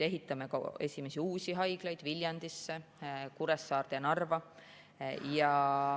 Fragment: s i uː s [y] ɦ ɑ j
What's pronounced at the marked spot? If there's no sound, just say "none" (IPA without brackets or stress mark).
i